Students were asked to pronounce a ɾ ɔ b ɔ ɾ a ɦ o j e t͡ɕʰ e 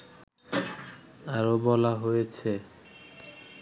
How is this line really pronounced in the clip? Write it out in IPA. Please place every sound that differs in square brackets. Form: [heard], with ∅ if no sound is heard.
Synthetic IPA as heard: a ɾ [o] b ɔ [l] a ɦ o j e t͡ɕʰ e